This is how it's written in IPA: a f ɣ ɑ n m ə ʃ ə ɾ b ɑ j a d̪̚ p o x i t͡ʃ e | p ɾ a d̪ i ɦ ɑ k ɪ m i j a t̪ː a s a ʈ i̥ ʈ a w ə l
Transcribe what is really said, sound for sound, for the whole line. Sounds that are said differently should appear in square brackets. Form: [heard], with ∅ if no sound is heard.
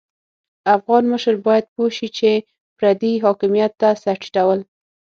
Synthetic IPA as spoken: a f ɣ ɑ n m ə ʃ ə ɾ b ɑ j a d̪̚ p o [ʃ] i t͡ʃ e | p ɾ a d̪ i ɦ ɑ k ɪ m i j a t̪ː a s a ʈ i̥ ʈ a w ə l